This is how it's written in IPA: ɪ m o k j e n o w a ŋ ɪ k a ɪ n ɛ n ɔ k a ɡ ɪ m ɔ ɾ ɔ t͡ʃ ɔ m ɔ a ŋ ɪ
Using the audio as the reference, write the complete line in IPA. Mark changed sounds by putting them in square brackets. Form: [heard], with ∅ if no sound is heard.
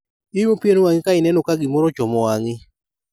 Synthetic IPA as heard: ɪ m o [p] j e n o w a ŋ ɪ k a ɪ n ɛ n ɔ k a ɡ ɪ m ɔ ɾ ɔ t͡ʃ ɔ m ɔ a ŋ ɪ